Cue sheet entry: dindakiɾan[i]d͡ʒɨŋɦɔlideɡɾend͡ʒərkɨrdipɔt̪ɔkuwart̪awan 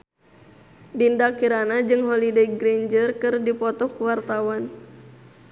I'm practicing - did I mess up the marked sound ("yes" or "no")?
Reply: yes